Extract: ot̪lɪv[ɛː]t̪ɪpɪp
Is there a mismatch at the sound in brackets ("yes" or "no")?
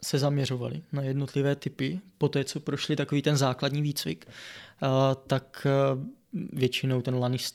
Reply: no